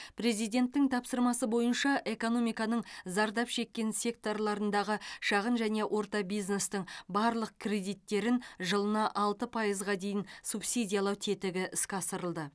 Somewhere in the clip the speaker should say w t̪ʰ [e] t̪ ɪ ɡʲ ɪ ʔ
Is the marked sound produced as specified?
yes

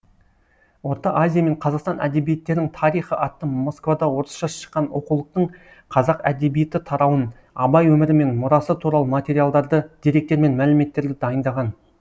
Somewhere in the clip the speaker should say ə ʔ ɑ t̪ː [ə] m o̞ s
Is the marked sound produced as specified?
yes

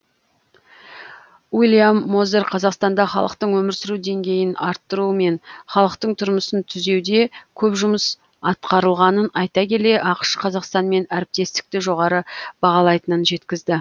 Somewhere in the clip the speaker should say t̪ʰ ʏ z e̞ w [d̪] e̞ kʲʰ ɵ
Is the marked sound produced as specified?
yes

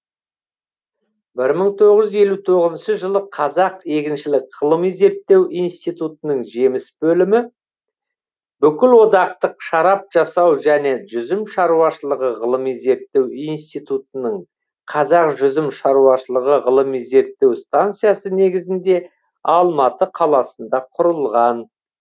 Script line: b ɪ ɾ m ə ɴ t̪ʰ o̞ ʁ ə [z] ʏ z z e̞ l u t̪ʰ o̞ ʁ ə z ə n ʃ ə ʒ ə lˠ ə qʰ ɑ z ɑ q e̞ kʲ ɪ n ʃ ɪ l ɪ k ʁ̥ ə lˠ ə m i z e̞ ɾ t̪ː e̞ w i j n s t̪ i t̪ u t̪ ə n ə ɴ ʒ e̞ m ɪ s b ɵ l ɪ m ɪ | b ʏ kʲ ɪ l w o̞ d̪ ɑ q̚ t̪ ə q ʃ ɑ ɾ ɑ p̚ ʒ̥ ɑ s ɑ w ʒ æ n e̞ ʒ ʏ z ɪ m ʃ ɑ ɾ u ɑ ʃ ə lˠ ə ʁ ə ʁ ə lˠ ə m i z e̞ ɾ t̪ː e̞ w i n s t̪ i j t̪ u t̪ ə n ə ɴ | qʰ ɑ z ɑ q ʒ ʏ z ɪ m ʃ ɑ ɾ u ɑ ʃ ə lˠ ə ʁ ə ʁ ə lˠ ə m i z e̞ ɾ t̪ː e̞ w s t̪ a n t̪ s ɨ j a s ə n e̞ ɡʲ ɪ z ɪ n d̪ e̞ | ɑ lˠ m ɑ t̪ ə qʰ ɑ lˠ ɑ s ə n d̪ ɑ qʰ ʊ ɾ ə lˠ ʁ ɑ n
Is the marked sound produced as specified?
no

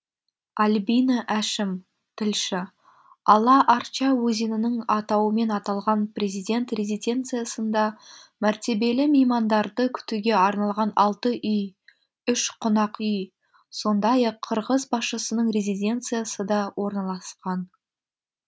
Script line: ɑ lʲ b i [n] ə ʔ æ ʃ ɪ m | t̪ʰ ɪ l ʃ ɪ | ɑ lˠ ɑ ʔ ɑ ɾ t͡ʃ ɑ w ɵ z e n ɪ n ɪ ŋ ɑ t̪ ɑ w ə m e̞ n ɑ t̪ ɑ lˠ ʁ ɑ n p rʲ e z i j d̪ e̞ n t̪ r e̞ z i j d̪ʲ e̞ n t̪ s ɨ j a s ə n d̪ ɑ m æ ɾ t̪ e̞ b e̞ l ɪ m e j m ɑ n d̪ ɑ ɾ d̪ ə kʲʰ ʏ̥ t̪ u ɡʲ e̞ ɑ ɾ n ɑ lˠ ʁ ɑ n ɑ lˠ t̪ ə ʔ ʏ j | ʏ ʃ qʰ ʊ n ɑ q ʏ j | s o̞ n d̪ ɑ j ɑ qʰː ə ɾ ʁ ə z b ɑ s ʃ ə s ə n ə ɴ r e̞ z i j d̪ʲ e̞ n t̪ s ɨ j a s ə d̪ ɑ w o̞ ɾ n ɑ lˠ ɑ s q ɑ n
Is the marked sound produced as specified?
yes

